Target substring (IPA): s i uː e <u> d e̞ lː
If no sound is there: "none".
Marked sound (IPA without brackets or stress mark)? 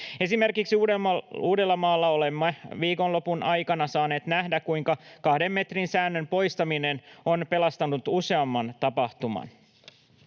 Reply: uː